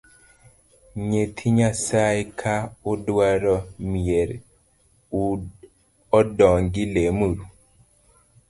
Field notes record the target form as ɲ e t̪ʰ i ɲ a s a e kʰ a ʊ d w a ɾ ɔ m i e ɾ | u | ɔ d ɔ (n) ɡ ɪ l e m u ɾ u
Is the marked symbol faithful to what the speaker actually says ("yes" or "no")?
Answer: no